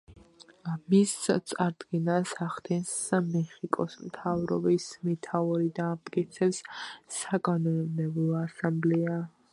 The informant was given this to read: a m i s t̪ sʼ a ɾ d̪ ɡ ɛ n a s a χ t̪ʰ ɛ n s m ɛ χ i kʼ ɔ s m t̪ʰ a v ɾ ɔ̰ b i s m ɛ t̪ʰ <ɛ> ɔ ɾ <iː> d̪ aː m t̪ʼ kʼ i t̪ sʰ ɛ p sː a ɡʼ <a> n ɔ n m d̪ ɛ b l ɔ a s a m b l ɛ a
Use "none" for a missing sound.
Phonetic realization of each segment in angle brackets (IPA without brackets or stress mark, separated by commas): a, i, a